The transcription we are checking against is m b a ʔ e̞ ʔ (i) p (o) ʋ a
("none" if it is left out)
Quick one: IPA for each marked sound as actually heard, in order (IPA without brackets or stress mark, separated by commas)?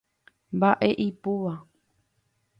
i, u